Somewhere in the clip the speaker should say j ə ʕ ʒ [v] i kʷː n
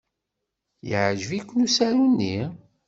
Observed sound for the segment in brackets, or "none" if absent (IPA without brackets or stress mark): v